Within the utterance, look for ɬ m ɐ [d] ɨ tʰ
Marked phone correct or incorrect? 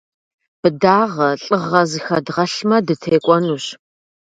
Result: correct